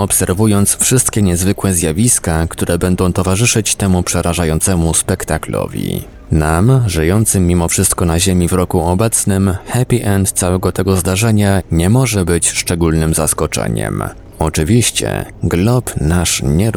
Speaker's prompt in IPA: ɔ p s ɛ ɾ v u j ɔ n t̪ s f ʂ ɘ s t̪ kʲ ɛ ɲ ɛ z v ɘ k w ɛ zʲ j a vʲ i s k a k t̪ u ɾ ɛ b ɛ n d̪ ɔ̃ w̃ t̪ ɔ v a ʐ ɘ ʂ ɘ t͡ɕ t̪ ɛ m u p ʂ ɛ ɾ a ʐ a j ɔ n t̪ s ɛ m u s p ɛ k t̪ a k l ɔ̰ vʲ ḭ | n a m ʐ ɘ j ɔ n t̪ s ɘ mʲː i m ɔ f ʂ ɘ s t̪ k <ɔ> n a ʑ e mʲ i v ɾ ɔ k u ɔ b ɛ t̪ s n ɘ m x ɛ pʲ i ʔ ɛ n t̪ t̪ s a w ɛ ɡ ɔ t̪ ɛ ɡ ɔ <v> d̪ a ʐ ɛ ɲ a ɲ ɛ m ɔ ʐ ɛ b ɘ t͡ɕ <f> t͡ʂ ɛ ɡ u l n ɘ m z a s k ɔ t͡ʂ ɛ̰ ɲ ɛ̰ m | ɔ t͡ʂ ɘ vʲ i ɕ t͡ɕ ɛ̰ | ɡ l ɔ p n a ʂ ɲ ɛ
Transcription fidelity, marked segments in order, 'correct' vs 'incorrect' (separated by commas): correct, incorrect, incorrect